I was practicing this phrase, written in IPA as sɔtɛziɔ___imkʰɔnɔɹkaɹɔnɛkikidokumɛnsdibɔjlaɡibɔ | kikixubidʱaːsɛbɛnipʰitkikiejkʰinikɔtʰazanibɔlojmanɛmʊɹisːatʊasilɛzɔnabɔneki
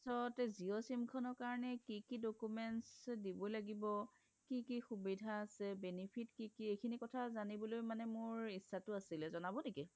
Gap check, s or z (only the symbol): s